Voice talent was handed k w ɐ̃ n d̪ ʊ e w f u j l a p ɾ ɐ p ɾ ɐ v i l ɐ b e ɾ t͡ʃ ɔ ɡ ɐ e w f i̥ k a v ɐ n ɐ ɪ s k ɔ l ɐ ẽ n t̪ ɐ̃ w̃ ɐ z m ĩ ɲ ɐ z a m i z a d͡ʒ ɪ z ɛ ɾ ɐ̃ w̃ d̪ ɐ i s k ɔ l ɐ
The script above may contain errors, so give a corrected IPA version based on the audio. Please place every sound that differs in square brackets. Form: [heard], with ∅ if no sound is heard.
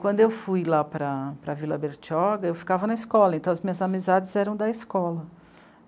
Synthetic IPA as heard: k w ɐ̃ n d̪ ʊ e w f u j l a p ɾ ɐ p ɾ ɐ v i l ɐ b e ɾ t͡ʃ ɔ ɡ ɐ e w f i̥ k a v ɐ n ɐ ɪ s k ɔ l ɐ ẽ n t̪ ɐ̃ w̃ ɐ z m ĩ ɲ ɐ z a m i z a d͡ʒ ɪ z ɛ ɾ ɐ̃ w̃ d̪ ɐ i s k ɔ l ɐ